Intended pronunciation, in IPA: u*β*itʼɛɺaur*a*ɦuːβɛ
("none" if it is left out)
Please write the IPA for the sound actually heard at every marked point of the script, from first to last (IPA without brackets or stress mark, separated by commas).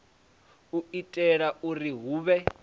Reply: none, i